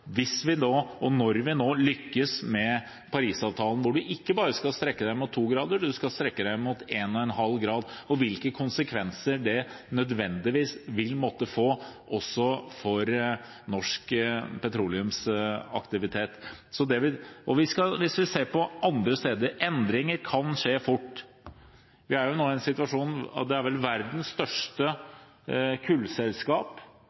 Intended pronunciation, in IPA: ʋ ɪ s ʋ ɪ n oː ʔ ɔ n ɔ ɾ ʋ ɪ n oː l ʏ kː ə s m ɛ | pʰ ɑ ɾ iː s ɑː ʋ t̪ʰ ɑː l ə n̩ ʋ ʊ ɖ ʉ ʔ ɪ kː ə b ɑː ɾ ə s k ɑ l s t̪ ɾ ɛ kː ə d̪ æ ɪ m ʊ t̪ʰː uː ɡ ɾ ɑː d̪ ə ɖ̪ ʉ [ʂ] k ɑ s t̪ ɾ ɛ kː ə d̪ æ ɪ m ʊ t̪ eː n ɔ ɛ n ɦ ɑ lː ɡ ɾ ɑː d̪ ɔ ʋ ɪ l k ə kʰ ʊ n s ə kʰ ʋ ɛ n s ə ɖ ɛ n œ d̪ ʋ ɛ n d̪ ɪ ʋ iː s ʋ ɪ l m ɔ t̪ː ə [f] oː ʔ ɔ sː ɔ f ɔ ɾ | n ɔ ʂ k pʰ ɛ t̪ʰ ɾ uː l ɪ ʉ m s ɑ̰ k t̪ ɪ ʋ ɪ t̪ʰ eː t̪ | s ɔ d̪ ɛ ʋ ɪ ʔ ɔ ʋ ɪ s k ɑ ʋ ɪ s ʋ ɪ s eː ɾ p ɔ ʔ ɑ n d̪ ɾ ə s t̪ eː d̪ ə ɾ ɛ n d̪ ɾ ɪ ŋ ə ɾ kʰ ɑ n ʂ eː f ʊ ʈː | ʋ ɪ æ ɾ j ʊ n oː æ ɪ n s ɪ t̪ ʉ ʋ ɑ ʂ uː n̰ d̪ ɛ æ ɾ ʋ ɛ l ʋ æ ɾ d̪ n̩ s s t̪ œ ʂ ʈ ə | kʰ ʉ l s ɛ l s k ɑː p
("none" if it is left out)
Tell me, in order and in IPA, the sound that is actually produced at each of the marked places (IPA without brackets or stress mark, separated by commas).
s, f